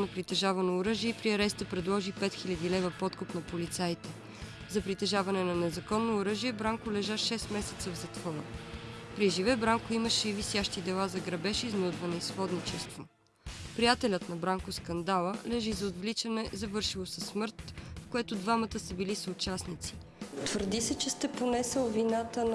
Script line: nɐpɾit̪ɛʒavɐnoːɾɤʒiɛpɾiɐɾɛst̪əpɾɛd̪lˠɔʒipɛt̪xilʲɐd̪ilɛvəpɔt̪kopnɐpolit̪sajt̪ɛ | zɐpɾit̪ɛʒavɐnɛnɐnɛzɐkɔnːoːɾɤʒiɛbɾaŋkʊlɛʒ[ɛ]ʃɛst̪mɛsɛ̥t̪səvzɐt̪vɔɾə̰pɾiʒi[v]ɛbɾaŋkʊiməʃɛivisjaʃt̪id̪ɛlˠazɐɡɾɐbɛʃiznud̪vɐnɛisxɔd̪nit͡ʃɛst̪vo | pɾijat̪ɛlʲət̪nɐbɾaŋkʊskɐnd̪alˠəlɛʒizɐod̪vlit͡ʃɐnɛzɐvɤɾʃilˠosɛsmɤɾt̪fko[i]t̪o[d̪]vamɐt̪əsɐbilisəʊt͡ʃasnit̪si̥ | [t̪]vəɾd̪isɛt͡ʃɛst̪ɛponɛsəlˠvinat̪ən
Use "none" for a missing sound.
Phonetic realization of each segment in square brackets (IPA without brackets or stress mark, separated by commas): a, v, ɛ, d̪, t̪